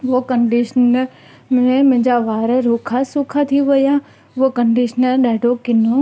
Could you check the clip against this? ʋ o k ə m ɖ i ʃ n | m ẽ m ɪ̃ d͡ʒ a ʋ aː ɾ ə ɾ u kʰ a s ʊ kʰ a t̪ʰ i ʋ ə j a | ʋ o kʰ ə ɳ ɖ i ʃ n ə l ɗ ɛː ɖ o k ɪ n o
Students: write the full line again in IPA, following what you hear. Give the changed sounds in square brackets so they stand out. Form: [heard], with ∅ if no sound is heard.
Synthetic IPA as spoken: ʋ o k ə [ɳ] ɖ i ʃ n | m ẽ m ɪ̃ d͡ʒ a ʋ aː ɾ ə ɾ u kʰ a s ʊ kʰ a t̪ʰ i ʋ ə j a | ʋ o [k] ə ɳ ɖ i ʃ n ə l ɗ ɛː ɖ o k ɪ n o